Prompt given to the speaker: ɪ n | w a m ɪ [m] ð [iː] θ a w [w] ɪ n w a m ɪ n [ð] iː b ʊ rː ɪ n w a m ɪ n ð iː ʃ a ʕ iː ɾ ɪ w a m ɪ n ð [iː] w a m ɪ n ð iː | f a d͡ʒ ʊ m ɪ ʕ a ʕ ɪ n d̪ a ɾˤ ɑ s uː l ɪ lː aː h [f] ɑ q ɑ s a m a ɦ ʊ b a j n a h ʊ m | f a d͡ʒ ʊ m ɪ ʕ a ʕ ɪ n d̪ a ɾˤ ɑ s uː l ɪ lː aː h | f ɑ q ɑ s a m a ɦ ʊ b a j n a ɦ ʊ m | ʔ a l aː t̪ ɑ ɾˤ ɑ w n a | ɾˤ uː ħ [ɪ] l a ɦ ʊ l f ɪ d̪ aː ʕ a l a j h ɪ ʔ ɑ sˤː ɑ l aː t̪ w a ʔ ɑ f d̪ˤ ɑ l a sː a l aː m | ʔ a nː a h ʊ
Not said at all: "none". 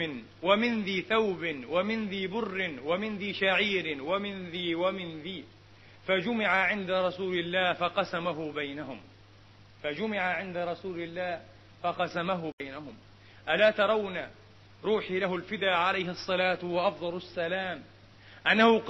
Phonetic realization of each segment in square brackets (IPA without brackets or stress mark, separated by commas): n, iː, b, ð, iː, f, i